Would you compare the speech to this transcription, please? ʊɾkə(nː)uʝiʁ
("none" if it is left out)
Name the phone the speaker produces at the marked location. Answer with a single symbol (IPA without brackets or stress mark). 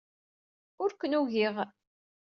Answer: n